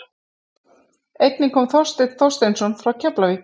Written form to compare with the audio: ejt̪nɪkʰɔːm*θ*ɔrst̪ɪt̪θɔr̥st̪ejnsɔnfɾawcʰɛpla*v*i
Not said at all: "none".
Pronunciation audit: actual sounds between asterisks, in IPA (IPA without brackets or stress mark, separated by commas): θ, v